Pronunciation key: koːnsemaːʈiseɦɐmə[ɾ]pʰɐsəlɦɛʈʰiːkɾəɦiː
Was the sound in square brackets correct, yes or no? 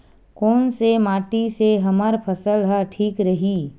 yes